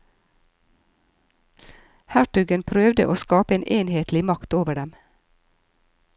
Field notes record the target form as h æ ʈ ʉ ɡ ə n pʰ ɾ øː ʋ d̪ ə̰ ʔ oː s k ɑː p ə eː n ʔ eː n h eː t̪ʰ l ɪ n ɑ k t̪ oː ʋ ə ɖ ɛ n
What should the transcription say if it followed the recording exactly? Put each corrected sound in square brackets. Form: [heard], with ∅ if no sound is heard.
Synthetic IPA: h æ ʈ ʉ ɡ ə n pʰ ɾ øː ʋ d̪ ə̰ ʔ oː s k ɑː p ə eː n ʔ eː n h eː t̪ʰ l ɪ [m] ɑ k t̪ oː ʋ ə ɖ ɛ [m]